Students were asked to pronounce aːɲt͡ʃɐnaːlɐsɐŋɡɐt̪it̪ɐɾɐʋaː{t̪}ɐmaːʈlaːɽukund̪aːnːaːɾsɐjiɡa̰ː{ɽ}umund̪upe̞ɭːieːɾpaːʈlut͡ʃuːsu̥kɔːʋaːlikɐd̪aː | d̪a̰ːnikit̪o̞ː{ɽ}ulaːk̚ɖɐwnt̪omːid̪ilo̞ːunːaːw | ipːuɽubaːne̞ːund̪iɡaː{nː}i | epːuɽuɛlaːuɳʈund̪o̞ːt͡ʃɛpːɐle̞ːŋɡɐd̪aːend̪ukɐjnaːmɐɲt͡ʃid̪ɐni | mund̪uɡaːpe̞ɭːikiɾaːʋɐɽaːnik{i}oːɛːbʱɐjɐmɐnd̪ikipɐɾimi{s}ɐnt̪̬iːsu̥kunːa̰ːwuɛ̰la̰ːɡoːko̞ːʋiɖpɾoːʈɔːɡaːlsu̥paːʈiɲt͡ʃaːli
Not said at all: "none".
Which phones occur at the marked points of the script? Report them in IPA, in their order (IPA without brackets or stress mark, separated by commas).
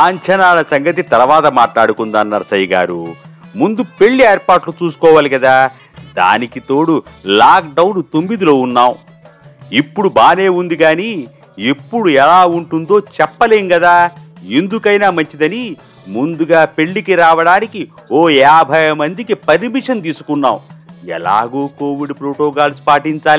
t̪, ɾ, ɽ, n, i, ʂ